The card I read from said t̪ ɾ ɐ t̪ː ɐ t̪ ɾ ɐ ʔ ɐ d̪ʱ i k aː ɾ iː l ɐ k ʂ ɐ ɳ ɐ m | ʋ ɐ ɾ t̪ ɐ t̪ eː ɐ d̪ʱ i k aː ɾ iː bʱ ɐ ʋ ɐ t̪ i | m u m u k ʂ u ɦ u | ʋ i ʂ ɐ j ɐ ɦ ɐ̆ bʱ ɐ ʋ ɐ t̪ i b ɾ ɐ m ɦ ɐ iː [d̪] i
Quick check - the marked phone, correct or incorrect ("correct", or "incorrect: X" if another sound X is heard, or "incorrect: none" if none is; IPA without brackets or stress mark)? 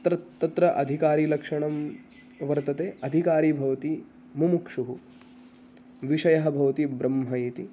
incorrect: t̪